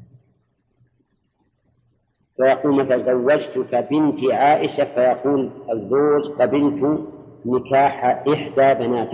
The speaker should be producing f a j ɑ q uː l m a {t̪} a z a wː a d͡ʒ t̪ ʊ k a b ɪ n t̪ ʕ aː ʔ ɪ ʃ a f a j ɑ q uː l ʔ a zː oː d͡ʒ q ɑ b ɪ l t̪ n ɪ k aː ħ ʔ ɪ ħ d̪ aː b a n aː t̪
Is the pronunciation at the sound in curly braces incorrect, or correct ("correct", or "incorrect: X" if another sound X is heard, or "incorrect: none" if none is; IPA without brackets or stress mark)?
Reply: correct